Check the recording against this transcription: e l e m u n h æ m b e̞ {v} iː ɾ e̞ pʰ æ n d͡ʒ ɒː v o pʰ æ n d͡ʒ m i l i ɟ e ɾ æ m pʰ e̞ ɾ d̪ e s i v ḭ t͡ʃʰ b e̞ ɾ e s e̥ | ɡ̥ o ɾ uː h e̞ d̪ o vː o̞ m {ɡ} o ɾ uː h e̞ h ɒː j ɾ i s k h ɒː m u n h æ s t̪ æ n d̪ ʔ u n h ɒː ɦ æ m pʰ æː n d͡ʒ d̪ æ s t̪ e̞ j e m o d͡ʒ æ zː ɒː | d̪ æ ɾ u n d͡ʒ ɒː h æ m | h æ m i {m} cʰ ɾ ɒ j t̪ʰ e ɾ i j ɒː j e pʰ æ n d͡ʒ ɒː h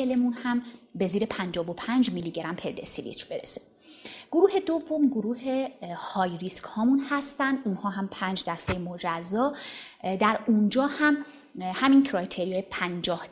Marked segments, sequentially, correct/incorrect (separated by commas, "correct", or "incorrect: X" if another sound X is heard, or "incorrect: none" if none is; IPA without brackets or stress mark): incorrect: z, correct, incorrect: n